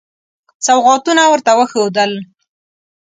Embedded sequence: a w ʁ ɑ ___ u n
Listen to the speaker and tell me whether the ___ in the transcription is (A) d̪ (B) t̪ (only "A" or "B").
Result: B